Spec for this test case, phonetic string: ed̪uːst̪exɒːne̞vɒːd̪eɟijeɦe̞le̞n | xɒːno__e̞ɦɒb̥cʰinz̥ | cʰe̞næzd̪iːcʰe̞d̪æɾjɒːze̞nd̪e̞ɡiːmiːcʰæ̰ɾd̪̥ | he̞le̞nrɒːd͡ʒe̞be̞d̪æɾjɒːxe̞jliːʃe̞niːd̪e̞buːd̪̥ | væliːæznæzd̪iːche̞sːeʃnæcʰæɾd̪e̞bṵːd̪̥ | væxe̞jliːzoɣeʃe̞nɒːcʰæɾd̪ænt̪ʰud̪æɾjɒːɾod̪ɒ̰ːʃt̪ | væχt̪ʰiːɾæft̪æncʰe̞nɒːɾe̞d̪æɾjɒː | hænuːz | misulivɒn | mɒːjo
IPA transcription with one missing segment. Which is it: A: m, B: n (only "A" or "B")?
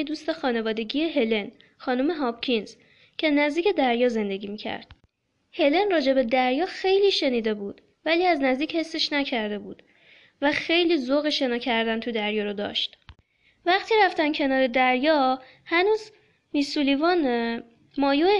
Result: A